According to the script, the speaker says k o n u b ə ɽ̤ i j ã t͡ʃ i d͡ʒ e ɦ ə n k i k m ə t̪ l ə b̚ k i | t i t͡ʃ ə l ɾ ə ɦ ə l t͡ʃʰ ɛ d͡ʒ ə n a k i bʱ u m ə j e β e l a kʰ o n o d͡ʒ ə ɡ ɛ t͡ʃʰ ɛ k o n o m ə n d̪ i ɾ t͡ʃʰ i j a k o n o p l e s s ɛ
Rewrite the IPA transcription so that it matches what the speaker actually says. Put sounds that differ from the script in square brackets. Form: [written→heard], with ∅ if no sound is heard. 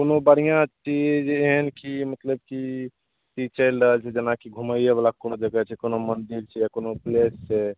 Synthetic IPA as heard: k o n [u→o] b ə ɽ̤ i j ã t͡ʃ i d͡ʒ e ɦ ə n k i [k→∅] m ə t̪ l ə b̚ k i | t i t͡ʃ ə l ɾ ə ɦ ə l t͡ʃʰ ɛ d͡ʒ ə n a k i [bʱ→ɡʱ] u m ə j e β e l a [kʰ→k] o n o d͡ʒ ə ɡ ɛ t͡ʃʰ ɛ k o n o m ə n d̪ i ɾ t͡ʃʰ [i→ɛ] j a k o n o p l e s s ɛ